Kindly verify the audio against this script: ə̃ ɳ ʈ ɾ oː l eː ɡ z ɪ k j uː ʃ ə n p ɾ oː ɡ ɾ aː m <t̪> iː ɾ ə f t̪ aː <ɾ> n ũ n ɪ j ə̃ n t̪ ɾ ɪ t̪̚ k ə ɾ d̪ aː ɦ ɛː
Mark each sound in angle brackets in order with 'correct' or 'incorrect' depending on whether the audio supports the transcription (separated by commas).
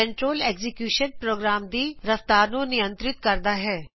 incorrect, correct